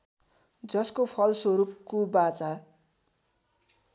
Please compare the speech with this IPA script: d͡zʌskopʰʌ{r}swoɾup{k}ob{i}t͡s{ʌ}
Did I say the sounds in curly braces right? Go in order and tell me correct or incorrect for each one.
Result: incorrect, correct, incorrect, incorrect

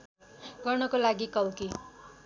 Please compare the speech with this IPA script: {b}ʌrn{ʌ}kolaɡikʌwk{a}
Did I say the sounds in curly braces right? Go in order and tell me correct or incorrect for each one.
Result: incorrect, correct, incorrect

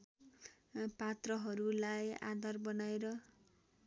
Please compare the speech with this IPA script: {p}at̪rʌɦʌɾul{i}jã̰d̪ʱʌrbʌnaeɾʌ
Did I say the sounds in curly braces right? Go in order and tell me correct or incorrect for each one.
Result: correct, incorrect

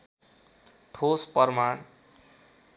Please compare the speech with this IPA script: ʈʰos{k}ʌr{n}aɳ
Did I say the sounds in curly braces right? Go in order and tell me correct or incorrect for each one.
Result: incorrect, incorrect

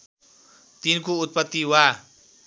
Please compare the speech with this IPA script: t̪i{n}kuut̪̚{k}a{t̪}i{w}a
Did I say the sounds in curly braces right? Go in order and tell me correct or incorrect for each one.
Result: correct, incorrect, correct, correct

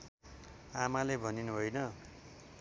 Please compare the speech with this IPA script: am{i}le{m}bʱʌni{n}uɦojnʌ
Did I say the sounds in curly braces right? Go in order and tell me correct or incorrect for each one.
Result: incorrect, incorrect, correct

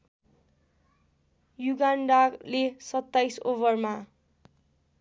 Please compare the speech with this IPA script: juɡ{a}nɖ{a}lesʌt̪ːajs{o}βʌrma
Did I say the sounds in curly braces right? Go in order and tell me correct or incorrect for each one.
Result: correct, correct, correct

